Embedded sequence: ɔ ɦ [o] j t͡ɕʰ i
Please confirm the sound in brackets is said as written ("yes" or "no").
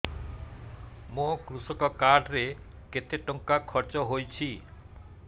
yes